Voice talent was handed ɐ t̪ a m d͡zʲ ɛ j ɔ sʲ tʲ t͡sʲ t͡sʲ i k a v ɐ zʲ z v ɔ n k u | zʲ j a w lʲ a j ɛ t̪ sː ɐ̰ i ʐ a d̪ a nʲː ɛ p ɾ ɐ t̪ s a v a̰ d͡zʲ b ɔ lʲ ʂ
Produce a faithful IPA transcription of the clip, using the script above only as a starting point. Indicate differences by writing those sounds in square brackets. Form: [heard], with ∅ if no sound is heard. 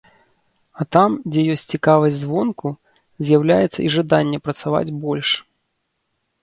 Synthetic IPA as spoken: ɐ t̪ a m d͡zʲ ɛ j ɔ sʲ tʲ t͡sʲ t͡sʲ i k a v ɐ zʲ z v ɔ n k u | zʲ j a w lʲ a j ɛ t̪ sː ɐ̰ i ʐ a d̪ a nʲː ɛ p ɾ ɐ t̪ s a v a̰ d͡zʲ b ɔ lʲ ʂ